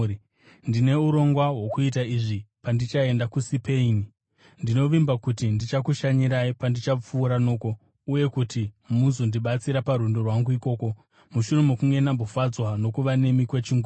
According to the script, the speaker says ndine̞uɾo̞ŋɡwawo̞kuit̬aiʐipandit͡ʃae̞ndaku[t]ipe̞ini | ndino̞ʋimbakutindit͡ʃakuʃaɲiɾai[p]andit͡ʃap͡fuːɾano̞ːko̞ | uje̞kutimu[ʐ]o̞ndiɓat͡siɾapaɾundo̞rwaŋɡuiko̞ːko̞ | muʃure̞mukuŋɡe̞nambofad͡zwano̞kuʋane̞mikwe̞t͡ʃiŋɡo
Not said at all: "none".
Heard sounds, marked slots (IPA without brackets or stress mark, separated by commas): s, p, z